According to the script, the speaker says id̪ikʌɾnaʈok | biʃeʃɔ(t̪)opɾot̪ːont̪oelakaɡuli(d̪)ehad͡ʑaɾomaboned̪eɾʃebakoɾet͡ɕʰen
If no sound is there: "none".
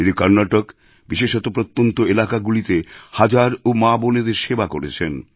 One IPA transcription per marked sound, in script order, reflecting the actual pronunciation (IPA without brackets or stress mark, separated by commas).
t̪, t̪